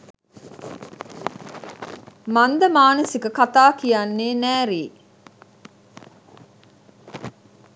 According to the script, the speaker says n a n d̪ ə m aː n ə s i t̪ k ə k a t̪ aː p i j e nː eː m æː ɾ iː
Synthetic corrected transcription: m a n d̪ ə m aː n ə s i k ə k a t̪ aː k i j a nː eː n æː ɾ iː